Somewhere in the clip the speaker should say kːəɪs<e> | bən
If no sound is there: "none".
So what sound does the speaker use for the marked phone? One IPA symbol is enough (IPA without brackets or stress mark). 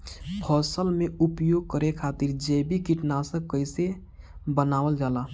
e